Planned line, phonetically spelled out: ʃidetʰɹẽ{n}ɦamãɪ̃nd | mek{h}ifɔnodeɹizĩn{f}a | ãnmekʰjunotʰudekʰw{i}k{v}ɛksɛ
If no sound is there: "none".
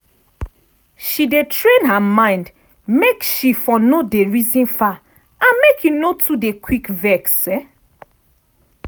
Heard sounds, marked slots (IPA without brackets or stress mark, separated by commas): n, ʃ, f, i, v